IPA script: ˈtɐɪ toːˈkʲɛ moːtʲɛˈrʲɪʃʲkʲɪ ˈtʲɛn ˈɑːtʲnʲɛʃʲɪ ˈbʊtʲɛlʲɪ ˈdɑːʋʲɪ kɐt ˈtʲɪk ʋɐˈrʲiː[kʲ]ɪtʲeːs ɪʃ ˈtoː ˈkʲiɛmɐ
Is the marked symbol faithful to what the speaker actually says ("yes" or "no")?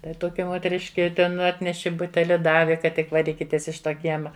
yes